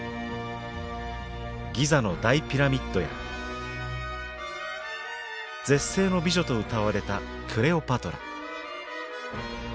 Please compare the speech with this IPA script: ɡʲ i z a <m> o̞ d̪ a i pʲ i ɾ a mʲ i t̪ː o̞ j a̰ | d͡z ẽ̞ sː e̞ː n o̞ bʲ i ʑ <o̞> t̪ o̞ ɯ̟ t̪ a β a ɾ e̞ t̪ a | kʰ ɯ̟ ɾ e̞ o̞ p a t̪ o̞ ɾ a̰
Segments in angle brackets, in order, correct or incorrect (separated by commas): incorrect, correct